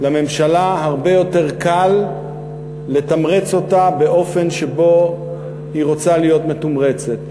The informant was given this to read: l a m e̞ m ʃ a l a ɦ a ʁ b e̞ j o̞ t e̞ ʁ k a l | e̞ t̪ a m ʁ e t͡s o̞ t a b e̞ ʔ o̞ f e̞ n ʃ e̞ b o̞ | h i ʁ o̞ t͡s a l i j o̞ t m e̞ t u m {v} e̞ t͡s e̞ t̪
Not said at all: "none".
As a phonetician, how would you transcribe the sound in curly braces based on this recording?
ʁ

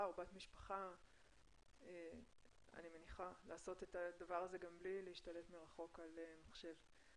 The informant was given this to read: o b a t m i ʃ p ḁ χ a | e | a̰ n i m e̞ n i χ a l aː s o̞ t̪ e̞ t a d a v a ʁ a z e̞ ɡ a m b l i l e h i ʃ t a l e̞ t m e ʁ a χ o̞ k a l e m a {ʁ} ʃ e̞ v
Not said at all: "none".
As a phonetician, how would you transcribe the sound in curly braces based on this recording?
χ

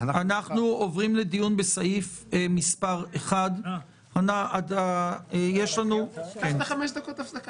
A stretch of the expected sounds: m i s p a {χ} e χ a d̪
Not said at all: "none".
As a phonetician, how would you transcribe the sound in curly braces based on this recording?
ʁ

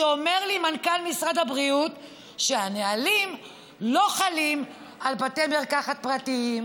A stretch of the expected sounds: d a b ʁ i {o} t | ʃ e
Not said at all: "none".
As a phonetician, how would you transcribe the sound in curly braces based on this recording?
u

